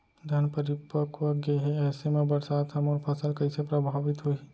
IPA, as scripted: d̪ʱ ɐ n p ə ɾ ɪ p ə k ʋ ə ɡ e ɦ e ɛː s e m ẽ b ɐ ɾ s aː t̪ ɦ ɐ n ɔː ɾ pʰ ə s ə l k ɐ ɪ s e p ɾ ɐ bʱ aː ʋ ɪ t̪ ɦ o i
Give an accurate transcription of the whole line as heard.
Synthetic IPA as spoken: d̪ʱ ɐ n p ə ɾ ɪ p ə k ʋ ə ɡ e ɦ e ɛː s e m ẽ b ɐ ɾ s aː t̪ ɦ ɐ m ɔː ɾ pʰ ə s ə l k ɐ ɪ s e p ɾ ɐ bʱ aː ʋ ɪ t̪ ɦ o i